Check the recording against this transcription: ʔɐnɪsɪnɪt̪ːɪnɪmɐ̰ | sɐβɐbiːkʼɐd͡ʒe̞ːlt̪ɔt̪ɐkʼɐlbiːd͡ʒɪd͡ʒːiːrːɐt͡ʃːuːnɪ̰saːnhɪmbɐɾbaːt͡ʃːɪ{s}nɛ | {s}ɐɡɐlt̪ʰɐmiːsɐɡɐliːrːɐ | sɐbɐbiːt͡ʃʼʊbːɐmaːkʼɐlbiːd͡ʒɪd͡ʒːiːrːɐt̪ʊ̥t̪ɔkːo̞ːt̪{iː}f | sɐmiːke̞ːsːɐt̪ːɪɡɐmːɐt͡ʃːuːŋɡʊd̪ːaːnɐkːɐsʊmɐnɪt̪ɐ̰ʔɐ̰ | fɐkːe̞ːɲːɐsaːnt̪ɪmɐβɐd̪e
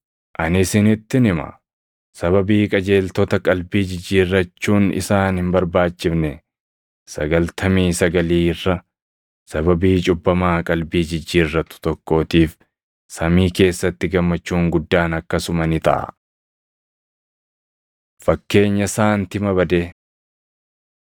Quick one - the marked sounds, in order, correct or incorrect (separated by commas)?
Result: incorrect, correct, correct